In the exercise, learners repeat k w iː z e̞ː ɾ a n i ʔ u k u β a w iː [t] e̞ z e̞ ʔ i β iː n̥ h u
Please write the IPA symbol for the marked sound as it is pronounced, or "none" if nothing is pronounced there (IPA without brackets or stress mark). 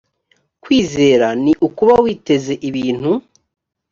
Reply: t